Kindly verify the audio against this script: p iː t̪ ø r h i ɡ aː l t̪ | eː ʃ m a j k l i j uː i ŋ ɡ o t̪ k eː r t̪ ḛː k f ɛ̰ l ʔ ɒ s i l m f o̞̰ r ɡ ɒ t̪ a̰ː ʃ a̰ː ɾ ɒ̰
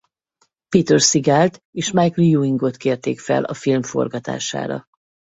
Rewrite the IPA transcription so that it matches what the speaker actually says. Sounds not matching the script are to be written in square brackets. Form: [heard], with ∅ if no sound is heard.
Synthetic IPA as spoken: p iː t̪ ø r [s] i ɡ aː l t̪ | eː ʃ m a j k l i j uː i ŋ ɡ o t̪ k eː r t̪ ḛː k f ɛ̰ l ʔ ɒ [f] i l m f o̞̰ r ɡ ɒ t̪ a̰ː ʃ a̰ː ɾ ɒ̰